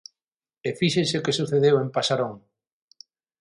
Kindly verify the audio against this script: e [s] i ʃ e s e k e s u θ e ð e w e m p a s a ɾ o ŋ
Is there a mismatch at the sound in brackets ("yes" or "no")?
yes